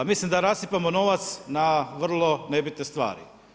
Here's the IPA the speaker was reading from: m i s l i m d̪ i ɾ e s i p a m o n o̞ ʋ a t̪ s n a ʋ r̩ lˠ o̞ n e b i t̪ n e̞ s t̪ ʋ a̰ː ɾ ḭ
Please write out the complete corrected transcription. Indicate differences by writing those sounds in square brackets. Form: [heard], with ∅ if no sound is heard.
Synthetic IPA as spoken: m i s l i m d̪ [a] ɾ [a] s i p a m o n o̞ ʋ a t̪ s n a ʋ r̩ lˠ o̞ n e b i t̪ n e̞ s t̪ ʋ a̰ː ɾ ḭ